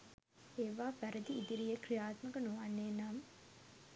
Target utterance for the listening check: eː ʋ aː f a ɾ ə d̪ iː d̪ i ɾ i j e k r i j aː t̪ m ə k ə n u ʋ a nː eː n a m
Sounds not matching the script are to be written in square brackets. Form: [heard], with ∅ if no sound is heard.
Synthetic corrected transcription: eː ʋ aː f [æ] ɾ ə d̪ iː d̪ i ɾ i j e k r i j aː t̪ m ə k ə n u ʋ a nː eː n a m